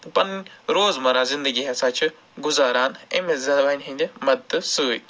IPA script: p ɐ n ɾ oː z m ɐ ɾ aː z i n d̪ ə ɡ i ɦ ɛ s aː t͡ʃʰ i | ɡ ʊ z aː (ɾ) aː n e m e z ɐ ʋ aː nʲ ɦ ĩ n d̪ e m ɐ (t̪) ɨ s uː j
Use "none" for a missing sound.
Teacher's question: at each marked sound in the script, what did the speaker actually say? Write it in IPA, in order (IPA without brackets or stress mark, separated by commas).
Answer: ɾ, d̪